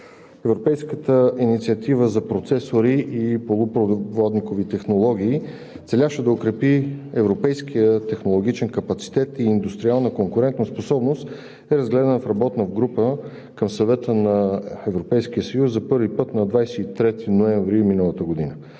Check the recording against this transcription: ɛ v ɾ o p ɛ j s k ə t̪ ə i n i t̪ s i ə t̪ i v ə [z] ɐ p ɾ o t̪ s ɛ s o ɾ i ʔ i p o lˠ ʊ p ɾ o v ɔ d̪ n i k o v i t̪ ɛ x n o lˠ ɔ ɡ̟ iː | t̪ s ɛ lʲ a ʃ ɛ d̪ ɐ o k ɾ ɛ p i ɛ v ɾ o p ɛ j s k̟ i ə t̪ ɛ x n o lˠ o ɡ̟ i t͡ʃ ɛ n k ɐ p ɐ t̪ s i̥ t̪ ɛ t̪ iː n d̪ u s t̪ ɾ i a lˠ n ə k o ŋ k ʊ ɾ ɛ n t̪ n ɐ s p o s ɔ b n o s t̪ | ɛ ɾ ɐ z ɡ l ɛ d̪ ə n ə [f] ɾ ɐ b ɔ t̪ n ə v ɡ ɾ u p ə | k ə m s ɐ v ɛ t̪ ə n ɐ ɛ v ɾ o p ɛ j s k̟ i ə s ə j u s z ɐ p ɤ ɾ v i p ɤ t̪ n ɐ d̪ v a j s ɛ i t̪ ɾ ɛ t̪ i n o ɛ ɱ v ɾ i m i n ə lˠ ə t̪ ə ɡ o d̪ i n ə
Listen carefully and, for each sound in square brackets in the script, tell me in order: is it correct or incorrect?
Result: correct, correct

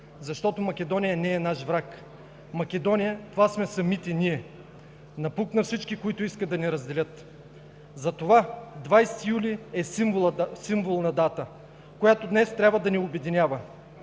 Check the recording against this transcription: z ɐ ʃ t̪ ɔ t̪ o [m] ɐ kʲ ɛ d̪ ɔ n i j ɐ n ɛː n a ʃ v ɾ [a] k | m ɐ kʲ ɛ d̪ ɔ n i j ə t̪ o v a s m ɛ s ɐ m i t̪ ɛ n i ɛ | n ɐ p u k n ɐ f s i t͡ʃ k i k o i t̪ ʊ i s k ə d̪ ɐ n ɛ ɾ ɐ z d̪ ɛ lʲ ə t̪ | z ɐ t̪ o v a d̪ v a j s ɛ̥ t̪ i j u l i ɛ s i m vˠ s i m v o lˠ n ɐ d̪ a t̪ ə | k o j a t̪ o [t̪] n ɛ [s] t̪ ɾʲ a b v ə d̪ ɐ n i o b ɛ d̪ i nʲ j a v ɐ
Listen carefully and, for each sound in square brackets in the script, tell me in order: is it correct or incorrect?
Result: correct, correct, incorrect, correct

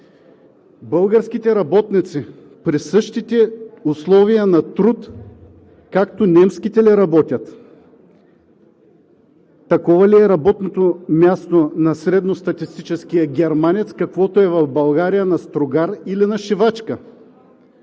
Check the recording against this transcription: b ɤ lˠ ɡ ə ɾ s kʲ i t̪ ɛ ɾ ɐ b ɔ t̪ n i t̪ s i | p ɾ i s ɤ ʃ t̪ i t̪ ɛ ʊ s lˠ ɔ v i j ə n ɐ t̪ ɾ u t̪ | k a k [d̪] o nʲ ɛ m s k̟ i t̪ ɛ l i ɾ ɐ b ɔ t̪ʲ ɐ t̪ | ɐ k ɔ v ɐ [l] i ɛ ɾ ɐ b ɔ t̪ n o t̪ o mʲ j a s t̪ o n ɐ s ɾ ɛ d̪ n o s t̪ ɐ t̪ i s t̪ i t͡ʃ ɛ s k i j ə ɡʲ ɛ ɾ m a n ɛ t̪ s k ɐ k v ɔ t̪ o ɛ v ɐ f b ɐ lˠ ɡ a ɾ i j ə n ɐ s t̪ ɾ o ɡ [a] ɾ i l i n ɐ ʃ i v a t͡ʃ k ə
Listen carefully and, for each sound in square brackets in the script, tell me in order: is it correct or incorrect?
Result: incorrect, correct, correct

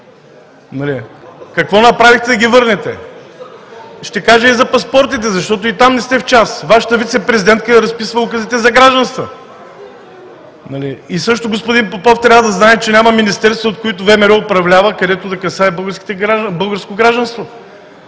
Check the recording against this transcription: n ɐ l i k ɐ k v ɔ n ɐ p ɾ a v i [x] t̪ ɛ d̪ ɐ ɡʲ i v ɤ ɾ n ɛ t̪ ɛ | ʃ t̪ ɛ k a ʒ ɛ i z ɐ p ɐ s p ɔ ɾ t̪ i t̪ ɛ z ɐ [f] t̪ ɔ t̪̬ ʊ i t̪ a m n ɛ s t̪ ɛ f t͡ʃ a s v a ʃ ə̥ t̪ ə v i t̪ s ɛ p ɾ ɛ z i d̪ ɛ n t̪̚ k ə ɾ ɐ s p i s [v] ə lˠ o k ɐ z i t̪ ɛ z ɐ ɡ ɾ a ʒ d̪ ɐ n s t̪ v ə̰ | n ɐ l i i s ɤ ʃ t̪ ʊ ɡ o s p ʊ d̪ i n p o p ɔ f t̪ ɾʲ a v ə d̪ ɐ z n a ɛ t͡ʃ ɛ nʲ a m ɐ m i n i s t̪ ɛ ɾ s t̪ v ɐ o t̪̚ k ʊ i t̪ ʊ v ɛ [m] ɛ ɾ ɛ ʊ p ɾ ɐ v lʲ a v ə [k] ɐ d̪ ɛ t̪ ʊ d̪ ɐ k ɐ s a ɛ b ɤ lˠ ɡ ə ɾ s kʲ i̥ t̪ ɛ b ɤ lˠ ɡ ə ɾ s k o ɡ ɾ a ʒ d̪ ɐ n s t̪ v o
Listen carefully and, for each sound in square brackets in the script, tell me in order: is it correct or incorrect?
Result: correct, incorrect, correct, correct, correct

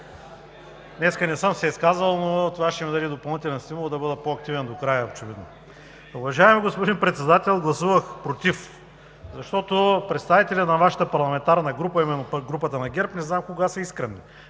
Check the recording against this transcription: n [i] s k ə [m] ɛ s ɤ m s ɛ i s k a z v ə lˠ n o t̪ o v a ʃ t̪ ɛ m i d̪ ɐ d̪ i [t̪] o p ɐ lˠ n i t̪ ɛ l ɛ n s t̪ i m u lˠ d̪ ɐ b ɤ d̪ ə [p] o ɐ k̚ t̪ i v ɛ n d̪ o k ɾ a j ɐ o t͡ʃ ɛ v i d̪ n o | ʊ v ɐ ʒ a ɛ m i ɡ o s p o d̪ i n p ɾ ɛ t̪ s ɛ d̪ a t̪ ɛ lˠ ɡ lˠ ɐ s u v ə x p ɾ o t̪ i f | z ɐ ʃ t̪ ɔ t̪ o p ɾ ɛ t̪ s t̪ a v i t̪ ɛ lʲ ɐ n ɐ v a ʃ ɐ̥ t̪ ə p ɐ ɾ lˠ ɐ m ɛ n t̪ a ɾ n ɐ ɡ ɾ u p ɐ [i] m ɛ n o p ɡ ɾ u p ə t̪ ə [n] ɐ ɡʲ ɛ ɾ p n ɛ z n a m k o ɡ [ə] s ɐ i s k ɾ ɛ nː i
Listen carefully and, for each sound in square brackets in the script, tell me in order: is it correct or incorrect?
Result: incorrect, incorrect, incorrect, correct, correct, correct, incorrect

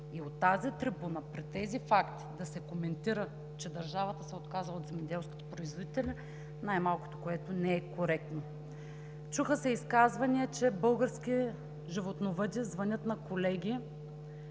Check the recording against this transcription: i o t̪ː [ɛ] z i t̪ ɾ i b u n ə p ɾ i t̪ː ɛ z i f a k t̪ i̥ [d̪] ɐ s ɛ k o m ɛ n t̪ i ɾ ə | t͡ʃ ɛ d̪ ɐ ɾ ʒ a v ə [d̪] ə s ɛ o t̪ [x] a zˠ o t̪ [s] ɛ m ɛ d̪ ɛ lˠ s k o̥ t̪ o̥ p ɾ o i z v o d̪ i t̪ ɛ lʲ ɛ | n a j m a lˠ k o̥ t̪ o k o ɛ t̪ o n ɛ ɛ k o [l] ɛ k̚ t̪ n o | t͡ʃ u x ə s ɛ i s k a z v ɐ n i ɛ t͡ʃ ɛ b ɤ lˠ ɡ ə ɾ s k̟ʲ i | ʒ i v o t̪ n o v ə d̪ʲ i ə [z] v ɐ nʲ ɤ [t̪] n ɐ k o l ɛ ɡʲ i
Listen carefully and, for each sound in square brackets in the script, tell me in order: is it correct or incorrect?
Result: incorrect, correct, incorrect, incorrect, incorrect, incorrect, correct, correct

